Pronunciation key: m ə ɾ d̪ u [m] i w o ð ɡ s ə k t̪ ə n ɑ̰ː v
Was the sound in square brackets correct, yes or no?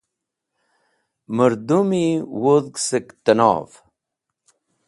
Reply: yes